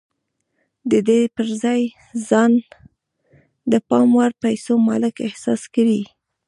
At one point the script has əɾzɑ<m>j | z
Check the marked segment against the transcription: incorrect: none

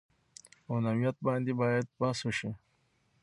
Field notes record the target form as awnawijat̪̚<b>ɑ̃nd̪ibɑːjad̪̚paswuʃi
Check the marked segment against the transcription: correct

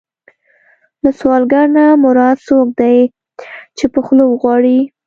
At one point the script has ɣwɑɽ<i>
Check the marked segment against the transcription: correct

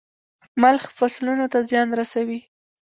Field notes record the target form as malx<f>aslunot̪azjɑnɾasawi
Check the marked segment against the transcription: correct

